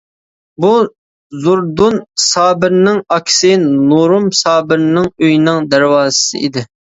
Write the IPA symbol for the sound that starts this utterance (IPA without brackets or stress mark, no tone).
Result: b